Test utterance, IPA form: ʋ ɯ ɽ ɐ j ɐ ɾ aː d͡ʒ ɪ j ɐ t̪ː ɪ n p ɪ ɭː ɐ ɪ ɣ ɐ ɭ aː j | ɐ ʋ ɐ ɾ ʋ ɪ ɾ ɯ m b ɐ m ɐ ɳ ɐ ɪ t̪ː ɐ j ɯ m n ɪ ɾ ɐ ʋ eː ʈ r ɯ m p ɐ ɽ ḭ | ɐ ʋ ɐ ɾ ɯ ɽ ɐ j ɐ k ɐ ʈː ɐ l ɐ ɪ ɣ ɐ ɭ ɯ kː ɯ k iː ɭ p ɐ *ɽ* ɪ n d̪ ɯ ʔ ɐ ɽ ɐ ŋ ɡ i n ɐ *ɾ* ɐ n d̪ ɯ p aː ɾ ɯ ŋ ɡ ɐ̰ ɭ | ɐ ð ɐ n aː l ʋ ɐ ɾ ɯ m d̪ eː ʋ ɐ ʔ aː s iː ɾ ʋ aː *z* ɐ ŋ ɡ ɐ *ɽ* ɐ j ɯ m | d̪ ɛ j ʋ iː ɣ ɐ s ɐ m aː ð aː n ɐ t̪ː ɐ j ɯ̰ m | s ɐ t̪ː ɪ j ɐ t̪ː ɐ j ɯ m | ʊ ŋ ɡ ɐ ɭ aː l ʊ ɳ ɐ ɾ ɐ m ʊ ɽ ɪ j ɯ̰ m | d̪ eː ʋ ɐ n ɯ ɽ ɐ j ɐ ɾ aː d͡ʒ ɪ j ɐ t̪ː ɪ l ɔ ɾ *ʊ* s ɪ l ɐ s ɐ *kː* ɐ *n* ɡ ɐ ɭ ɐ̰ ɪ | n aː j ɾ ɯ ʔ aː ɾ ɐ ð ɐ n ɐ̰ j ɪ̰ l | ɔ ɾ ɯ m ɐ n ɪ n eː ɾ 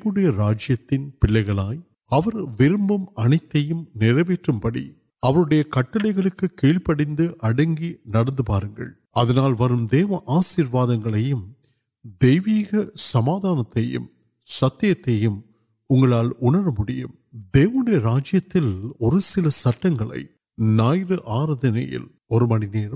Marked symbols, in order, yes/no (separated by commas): yes, no, no, no, no, no, no